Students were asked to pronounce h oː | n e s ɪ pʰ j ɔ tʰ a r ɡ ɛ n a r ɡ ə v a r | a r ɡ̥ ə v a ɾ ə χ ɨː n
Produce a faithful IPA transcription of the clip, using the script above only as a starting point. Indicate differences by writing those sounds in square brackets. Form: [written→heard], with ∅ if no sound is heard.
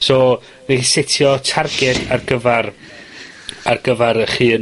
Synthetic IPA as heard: [h→s] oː | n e s ɪ [pʰ→tʰ] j ɔ tʰ a r ɡ ɛ [n→d] a r ɡ ə v a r | a r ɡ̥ ə v a ɾ ə χ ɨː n